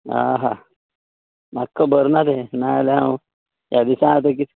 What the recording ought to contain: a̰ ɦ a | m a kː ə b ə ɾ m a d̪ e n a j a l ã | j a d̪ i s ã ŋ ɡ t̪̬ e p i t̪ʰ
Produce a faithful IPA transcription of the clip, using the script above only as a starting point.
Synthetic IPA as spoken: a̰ ɦ a | m a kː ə b ə ɾ n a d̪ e n a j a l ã | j a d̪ i s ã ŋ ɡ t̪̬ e k i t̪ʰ